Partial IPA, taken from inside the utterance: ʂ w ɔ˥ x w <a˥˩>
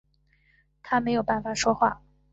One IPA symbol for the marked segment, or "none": a˥˩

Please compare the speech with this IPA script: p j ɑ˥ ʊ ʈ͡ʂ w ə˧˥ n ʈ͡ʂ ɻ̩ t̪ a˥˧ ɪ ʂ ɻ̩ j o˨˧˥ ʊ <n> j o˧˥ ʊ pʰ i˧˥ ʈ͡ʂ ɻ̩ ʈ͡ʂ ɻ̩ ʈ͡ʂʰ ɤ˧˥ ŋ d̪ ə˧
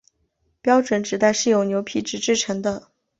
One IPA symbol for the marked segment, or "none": n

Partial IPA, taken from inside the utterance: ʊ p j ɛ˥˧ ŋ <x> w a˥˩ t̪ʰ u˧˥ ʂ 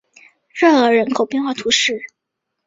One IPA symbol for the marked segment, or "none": x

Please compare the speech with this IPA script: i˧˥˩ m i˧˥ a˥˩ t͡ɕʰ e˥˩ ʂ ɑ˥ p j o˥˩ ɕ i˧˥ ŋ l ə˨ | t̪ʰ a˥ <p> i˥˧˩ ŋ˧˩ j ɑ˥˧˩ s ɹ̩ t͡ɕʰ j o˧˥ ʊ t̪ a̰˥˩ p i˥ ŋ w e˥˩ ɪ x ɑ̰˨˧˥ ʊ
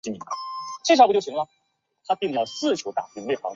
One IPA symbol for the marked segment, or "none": p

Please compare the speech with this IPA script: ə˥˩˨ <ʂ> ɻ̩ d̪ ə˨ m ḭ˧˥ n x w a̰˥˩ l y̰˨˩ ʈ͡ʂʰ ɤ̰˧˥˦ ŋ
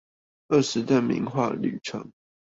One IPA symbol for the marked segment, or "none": ʂ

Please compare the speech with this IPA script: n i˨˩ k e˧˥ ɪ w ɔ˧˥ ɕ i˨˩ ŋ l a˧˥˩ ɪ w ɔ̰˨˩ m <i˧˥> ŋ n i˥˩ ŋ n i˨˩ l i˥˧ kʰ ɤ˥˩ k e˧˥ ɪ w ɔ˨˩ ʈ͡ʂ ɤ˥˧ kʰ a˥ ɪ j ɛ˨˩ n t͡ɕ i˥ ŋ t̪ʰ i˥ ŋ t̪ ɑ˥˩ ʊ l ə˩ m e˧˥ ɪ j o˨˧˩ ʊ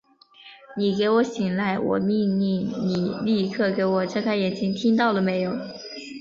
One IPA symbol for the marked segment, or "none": i˥˧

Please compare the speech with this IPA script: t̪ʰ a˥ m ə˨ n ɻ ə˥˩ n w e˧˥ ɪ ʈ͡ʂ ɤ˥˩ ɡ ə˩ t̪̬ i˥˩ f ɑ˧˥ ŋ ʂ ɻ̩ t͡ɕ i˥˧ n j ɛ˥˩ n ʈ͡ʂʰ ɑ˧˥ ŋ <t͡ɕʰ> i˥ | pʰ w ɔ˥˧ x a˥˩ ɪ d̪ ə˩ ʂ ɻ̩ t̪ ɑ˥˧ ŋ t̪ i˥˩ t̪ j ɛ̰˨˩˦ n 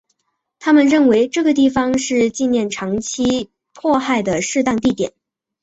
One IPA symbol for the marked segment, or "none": t͡ɕʰ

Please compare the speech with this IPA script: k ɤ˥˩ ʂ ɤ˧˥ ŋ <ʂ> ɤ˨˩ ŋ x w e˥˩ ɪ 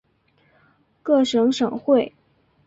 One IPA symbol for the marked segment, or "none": ʂ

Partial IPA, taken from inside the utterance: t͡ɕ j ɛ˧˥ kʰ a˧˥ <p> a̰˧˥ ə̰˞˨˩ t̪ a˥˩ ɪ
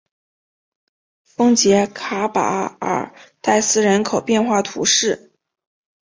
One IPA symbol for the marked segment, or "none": p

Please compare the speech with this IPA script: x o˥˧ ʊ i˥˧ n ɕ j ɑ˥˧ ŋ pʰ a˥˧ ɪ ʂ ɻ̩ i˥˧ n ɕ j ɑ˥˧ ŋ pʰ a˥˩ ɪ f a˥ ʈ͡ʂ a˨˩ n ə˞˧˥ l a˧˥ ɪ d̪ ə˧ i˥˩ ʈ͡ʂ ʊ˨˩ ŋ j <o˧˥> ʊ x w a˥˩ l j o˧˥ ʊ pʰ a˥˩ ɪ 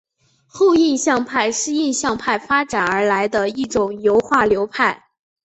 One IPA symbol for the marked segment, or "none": o˧˥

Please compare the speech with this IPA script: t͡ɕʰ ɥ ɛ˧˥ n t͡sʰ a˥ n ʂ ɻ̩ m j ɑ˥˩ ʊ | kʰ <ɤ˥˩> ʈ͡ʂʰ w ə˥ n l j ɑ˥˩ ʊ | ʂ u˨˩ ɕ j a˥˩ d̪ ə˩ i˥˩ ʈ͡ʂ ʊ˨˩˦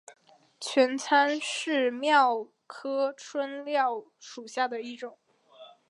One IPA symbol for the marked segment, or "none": ɤ˥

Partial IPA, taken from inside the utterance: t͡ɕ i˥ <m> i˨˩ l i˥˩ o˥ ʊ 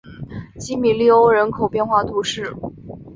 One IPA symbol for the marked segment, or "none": m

